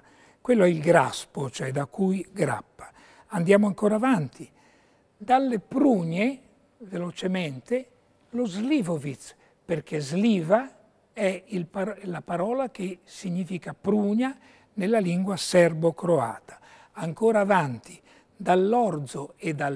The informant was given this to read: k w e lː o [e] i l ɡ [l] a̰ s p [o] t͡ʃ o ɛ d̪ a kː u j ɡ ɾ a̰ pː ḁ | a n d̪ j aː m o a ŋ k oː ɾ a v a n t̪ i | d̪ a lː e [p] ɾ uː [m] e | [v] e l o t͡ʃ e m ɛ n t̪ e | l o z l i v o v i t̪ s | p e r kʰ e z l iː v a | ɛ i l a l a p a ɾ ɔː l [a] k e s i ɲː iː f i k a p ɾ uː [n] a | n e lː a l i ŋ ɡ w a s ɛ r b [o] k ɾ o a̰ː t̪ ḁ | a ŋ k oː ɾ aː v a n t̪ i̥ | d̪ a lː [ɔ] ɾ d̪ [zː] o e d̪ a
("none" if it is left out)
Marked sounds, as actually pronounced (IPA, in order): ɛ, ɾ, o, p, ɲ, v, a, ɲ, o, ɔ, z

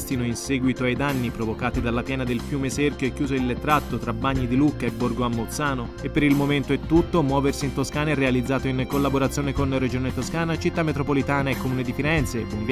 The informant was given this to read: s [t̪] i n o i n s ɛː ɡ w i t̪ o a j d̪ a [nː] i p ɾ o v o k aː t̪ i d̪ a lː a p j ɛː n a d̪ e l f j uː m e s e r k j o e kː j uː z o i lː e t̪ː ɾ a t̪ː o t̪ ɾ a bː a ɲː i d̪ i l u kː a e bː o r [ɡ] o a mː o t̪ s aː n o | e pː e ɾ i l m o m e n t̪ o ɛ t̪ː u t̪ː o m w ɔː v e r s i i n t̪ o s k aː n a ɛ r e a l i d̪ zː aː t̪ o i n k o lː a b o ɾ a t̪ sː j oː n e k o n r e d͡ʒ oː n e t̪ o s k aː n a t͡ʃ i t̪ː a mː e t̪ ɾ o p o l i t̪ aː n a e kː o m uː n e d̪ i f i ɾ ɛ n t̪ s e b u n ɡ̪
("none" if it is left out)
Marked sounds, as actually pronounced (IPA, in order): t̪, nː, ɡ

